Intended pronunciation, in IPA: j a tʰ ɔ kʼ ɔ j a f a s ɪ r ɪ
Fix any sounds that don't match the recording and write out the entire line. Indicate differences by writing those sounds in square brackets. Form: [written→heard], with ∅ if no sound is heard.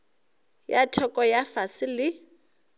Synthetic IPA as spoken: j a tʰ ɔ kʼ ɔ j a f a s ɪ [r→l] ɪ